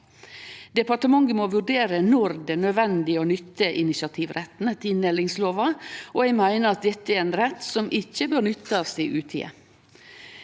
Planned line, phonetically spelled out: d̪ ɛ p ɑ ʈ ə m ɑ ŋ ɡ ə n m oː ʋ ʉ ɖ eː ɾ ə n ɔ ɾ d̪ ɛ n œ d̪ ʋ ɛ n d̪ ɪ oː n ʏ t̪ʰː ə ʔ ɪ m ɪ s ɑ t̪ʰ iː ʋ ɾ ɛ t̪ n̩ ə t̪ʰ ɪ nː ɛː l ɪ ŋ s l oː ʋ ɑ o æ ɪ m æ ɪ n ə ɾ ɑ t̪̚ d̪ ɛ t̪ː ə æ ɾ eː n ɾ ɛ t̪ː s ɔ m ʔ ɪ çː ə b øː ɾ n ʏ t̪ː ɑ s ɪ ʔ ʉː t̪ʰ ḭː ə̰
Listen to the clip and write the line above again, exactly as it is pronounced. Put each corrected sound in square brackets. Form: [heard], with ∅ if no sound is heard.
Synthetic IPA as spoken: d̪ ɛ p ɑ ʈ ə m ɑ ŋ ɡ ə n m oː ʋ ʉ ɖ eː ɾ ə n ɔ ɾ d̪ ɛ n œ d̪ ʋ ɛ n d̪ ɪ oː n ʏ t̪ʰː ə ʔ ɪ [n] ɪ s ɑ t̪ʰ iː ʋ ɾ ɛ t̪ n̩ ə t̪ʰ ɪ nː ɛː l ɪ ŋ s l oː ʋ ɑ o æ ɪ m æ ɪ n ə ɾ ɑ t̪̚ d̪ ɛ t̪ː ə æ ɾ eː n ɾ ɛ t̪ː s ɔ m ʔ ɪ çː ə b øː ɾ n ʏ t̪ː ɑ s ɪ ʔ ʉː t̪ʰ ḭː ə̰

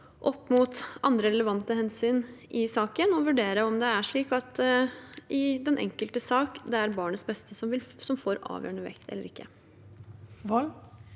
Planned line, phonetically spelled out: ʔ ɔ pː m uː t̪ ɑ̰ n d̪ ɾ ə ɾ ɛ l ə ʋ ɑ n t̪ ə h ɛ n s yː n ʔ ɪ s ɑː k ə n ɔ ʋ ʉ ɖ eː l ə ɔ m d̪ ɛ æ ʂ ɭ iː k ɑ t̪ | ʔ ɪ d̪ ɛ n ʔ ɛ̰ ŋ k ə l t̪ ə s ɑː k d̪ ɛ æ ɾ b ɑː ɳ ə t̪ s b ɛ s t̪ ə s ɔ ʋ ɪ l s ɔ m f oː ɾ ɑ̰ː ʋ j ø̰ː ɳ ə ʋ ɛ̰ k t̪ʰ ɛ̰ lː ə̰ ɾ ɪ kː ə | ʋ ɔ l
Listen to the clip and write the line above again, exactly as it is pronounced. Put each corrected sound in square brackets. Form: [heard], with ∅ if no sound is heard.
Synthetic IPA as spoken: ʔ ɔ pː m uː t̪ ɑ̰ n d̪ ɾ ə ɾ ɛ l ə ʋ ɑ n t̪ ə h ɛ n s yː n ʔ ɪ s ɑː k ə n ɔ ʋ ʉ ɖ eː [ɾ] ə ɔ m d̪ ɛ æ ʂ ɭ iː k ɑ t̪ | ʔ ɪ d̪ ɛ n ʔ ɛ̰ ŋ k ə l t̪ ə s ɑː k d̪ ɛ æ ɾ b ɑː ɳ ə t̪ s b ɛ s t̪ ə s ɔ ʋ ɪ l s ɔ m f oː ɾ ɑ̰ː ʋ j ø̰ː ɳ ə ʋ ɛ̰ k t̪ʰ ɛ̰ lː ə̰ ɾ ɪ kː ə | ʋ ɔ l

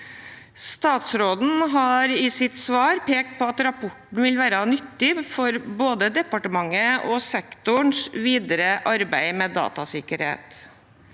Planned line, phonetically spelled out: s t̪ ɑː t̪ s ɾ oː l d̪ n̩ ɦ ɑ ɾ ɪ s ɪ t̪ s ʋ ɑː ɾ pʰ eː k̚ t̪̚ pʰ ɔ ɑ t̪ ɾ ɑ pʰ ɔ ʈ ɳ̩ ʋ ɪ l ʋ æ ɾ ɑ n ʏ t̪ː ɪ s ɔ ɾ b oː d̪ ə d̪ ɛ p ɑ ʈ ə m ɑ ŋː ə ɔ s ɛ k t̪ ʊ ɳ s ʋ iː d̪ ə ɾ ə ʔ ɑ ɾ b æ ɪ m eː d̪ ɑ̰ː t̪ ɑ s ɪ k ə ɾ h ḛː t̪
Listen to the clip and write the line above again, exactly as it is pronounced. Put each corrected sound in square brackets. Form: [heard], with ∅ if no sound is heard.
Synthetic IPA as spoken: s t̪ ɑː t̪ s ɾ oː [∅] d̪ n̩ ɦ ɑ ɾ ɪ s ɪ t̪ s ʋ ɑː ɾ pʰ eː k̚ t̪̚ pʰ ɔ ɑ t̪ ɾ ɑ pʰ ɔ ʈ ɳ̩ ʋ ɪ l ʋ [æː] ɾ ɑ n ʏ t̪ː ɪ [f] ɔ ɾ b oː d̪ ə d̪ ɛ p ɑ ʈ ə m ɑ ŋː ə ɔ s ɛ k t̪ ʊ ɳ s ʋ iː d̪ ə ɾ ə ʔ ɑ ɾ b æ ɪ m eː d̪ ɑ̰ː t̪ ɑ s ɪ k ə ɾ h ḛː t̪

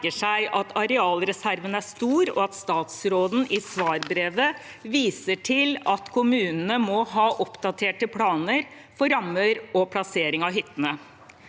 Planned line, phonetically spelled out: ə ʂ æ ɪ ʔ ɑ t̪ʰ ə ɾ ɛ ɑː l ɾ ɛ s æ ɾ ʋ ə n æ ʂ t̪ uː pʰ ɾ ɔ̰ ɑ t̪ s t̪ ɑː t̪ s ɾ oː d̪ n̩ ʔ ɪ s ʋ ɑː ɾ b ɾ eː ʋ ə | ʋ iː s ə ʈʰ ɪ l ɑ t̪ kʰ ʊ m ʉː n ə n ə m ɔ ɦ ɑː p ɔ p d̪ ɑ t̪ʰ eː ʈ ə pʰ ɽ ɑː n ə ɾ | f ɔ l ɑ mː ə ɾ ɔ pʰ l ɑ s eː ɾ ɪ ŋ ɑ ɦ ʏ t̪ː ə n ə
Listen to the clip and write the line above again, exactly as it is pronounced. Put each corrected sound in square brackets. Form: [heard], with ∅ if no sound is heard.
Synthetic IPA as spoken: ə ʂ æ ɪ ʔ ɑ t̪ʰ [ɑ] ɾ ɛ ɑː l ɾ ɛ s æ ɾ ʋ ə n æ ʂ t̪ uː [∅] ɾ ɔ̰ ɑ t̪ s t̪ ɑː t̪ s ɾ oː d̪ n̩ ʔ ɪ s ʋ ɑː ɾ b ɾ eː ʋ ə | ʋ iː s ə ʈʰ ɪ l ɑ t̪ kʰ ʊ m ʉː n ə n ə m ɔ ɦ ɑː [ʔ] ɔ p d̪ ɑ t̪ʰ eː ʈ ə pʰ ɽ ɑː n ə ɾ | f ɔ [ɾ] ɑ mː ə ɾ ɔ pʰ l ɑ s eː ɾ ɪ ŋ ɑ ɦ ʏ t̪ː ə n ə

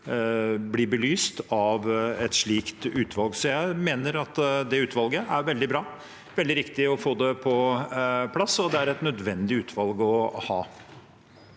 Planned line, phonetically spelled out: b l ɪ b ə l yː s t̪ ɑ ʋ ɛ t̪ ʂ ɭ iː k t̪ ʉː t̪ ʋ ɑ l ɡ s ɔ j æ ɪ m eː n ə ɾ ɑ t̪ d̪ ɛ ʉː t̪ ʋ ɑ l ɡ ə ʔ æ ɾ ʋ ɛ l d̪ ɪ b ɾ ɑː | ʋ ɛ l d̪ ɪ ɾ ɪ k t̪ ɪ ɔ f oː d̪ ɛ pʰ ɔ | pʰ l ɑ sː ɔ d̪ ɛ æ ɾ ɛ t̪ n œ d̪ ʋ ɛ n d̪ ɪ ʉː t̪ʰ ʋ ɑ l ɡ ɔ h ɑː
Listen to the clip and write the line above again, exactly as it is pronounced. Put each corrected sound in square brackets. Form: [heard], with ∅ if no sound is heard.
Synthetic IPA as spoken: b l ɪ b ə l yː s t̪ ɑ ʋ ɛ t̪ ʂ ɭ iː k t̪ ʉː t̪ ʋ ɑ l ɡ s ɔ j æ ɪ m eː n ə ɾ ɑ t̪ d̪ ɛ ʉː t̪ ʋ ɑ l ɡ ə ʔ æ ɾ ʋ ɛ l d̪ ɪ b ɾ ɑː | ʋ ɛ l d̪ ɪ ɾ ɪ k t̪ ɪ ɔ f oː d̪ ɛ pʰ ɔ | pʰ l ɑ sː ɔ d̪ ɛ æ ɾ ɛ t̪ n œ d̪ ʋ ɛ n d̪ ɪ ʉː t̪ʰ ʋ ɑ l ɡ ɔ h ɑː

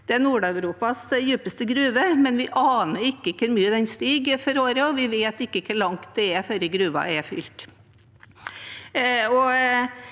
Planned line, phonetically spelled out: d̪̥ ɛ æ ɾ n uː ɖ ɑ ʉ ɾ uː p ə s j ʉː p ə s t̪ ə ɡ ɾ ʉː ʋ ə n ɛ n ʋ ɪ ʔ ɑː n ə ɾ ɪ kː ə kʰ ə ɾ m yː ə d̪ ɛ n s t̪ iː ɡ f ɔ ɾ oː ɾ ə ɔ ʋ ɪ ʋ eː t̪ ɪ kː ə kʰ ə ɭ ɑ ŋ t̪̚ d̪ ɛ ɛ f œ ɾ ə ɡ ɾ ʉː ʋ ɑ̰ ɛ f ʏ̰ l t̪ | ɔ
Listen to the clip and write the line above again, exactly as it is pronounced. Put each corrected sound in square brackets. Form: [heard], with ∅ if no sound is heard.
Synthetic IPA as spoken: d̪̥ ɛ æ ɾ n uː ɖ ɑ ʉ ɾ uː p [ɑ] s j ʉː p ə s t̪ ə ɡ ɾ ʉː ʋ ə [m] ɛ n ʋ ɪ ʔ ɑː n ə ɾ ɪ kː ə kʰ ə ɾ m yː ə d̪ ɛ n s t̪ iː ɡ f ɔ ɾ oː ɾ ə ɔ ʋ ɪ ʋ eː t̪ ɪ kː ə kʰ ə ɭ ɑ ŋ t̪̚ d̪ ɛ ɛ f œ ɾ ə ɡ ɾ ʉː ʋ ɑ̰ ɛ f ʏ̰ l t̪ | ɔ

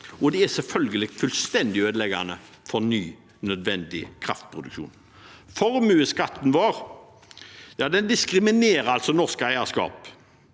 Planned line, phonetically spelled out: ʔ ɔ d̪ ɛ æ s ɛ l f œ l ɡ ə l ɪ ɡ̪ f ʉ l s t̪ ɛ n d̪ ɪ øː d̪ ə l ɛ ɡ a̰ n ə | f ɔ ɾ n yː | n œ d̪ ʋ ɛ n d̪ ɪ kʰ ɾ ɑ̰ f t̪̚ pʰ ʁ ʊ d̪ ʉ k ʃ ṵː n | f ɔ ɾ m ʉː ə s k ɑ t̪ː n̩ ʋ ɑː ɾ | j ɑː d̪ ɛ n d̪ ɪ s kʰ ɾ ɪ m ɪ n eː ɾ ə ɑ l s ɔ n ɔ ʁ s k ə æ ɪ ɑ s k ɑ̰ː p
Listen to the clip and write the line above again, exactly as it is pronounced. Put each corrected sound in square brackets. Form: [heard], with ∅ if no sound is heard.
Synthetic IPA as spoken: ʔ ɔ d̪ ɛ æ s ɛ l f œ l ɡ ə l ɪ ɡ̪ f ʉ l s t̪ ɛ n d̪ ɪ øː d̪ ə l ɛ ɡ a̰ n ə | f ɔ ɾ n yː | n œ d̪ ʋ ɛ n d̪ ɪ kʰ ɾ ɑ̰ f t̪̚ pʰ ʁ ʊ d̪ ʉ k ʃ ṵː n | f ɔ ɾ m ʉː ə s k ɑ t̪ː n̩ ʋ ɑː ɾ | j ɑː d̪ ɛ n d̪ ɪ s [k] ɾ ɪ m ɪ n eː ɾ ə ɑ l s ɔ n ɔ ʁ s k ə æ ɪ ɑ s k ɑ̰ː p

